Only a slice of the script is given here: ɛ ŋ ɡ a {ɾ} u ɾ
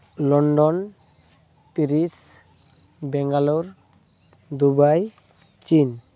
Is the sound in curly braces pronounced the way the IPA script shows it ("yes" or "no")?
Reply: no